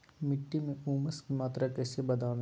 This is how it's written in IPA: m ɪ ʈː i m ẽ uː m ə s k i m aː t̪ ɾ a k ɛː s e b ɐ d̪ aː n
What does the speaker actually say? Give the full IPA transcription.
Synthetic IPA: m ɪ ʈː i m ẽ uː m ə s k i m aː t̪ ɾ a k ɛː s e b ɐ d̪ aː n